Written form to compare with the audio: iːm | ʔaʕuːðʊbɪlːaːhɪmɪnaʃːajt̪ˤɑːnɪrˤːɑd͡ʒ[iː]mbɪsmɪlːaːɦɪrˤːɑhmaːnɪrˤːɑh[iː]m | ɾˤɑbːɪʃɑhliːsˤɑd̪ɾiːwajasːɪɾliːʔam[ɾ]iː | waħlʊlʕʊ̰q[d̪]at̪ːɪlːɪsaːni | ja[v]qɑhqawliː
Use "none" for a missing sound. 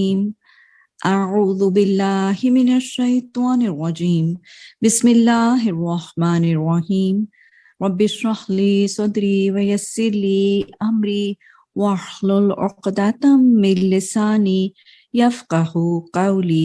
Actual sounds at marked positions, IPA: iː, iː, ɾ, d̪, f

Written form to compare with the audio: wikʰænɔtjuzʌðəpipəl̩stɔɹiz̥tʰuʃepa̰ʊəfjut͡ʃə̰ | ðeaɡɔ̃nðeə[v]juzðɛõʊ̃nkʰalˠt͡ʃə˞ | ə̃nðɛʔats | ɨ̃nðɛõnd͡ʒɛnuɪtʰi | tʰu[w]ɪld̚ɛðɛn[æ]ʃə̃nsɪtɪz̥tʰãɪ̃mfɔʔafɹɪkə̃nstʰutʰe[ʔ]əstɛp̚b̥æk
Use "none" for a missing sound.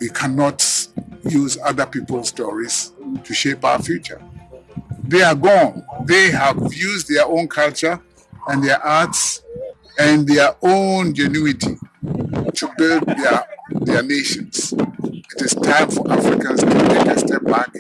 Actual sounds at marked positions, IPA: v, b, e, k

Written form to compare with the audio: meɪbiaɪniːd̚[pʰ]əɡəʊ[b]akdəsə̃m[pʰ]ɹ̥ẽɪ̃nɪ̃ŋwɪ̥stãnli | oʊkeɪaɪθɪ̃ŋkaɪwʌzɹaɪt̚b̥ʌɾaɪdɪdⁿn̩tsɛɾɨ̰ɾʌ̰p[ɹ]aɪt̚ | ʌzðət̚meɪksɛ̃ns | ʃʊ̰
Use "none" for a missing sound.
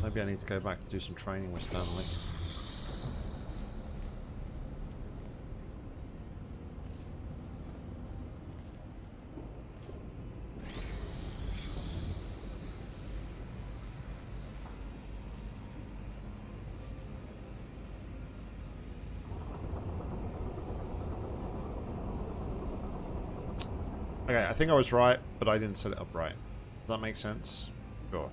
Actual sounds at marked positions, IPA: tʰ, b, tʰ, ɹ

